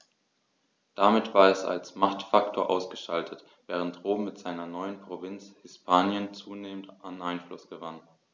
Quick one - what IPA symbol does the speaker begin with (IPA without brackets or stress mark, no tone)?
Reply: d̥